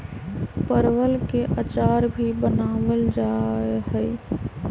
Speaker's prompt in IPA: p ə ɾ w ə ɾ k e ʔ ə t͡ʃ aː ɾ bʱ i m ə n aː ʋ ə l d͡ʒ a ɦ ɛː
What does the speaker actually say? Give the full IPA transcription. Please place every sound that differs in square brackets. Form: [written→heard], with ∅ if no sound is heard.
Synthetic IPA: p ə ɾ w ə [ɾ→l] k e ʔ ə t͡ʃ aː ɾ bʱ i [m→b] ə n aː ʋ ə l d͡ʒ a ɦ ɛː

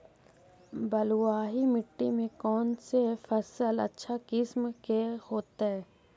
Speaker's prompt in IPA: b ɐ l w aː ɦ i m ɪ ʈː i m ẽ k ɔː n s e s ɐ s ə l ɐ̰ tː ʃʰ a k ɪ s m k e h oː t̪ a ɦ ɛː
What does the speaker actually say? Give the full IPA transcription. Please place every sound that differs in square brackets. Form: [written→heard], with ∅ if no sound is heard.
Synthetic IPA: b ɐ l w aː ɦ i m ɪ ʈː i m ẽ k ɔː n s e [s→f] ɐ s ə l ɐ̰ tː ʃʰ a k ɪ s m k e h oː t̪ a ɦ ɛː

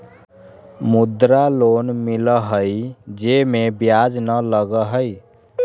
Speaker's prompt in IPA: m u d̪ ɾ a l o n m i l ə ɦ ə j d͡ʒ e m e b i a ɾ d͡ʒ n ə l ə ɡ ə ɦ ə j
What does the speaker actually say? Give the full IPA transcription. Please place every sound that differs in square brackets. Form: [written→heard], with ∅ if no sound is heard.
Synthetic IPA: m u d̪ ɾ a l o n m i l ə ɦ ə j d͡ʒ e m e b [i→j] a [ɾ→∅] d͡ʒ n ə l ə ɡ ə ɦ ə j

